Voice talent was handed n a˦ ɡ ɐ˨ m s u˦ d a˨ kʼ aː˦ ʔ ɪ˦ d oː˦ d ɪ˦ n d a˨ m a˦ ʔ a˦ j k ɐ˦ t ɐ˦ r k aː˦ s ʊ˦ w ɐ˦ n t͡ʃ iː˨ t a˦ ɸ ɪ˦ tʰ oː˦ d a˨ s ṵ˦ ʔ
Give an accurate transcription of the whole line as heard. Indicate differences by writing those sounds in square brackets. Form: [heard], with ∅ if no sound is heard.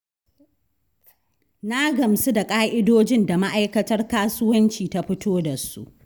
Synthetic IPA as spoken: n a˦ ɡ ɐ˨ m s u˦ d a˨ kʼ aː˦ ʔ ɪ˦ d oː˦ [d͡ʒ] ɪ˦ n d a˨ m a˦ ʔ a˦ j k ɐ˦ t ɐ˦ r k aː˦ s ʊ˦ w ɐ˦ n t͡ʃ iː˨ t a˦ ɸ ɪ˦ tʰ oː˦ d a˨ s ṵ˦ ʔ